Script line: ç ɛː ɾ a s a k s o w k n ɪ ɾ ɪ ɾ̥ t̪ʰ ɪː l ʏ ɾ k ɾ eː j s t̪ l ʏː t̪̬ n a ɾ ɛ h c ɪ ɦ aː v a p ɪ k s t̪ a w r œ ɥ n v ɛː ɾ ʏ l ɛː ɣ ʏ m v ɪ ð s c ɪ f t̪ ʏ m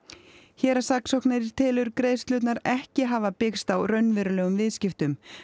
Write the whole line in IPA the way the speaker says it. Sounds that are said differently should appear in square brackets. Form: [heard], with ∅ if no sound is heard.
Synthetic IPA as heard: ç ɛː ɾ a s a k s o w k n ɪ ɾ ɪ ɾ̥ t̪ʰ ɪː l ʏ ɾ k ɾ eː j s t̪ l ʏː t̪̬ n a ɾ ɛ h c ɪ ɦ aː v a p ɪ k s t̪ a w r œ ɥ n v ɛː ɾ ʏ l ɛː ɣ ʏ m v ɪ ð s c ɪ f t̪ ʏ m